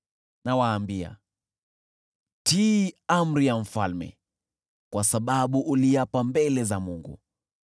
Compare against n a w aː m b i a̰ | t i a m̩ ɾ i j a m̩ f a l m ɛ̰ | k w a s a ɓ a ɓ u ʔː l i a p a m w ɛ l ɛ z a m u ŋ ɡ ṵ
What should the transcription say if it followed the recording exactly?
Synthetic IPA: n a w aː m b i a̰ | t i a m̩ ɾ i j a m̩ f a l m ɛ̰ | k w a s a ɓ a ɓ u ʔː l i a p a m b ɛ l ɛ z a m u ŋ ɡ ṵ